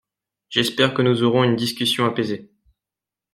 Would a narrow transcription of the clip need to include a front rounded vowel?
yes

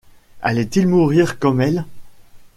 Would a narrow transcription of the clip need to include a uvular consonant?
yes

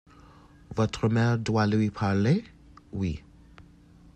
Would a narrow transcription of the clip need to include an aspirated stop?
yes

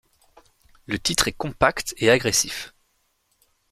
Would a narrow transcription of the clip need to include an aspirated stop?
no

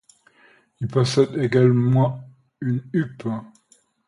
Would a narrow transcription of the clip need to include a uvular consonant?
no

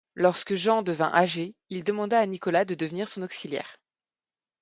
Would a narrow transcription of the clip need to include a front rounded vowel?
no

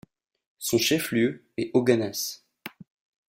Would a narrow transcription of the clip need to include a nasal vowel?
yes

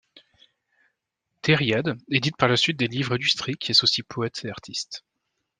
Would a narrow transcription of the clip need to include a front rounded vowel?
yes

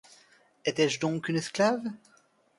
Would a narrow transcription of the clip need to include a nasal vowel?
yes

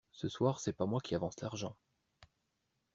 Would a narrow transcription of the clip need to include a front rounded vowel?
no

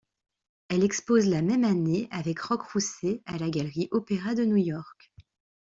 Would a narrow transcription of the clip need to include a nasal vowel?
no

